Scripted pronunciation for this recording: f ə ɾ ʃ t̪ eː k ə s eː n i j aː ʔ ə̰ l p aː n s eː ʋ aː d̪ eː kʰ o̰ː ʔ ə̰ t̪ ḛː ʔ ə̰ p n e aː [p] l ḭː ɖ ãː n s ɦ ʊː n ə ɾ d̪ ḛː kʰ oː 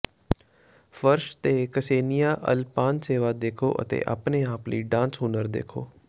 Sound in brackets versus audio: correct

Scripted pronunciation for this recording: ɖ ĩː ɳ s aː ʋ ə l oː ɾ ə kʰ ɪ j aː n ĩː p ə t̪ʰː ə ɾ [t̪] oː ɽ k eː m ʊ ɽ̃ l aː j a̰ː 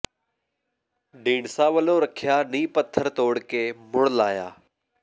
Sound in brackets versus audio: correct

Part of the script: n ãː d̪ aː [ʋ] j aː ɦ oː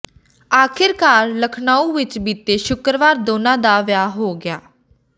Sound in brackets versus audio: correct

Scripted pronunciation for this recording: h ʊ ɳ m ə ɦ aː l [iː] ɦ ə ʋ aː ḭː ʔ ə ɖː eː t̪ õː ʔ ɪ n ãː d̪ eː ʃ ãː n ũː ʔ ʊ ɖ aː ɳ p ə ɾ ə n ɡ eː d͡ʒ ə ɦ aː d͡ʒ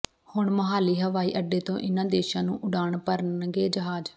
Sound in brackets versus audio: correct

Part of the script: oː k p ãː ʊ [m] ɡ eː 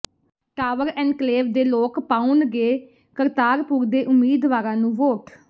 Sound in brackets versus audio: incorrect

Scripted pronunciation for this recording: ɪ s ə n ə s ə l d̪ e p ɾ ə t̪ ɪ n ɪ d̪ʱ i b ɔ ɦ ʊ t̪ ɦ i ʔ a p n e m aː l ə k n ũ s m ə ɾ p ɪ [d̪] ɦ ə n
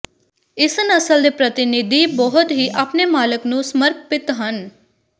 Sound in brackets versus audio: incorrect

